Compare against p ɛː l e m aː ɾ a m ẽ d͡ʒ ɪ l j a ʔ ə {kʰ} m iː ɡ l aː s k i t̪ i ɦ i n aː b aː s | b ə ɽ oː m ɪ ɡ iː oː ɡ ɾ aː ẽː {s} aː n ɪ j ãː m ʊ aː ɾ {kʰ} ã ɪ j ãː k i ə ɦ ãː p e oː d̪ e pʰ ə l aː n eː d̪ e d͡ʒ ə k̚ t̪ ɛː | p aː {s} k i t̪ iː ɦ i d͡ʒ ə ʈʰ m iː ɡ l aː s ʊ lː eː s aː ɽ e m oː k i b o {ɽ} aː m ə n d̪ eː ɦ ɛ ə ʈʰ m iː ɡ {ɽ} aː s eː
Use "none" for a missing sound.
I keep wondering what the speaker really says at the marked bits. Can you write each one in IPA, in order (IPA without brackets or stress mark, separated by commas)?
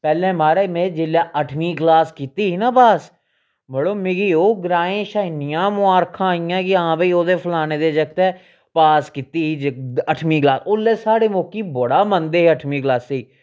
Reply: ʈʰ, ʃ, kʰ, s, ɽ, l